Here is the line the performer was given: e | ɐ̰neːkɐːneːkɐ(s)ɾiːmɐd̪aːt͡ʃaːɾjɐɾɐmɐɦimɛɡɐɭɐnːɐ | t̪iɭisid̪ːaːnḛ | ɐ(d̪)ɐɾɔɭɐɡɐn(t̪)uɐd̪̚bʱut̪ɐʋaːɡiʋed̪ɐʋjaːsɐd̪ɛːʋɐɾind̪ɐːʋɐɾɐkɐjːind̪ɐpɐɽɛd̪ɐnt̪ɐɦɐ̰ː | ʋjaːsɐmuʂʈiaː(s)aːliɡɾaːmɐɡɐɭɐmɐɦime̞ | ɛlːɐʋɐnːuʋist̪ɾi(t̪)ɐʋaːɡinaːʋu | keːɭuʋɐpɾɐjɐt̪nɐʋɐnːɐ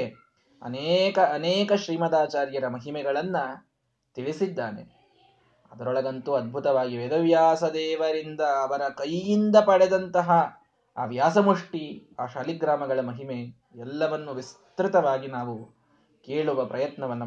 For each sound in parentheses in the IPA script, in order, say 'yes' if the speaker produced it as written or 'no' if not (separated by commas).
no, yes, yes, no, yes